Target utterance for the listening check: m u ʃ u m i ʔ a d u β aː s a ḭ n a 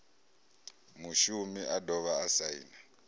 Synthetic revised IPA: m u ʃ u m i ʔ a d ɔ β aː s a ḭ n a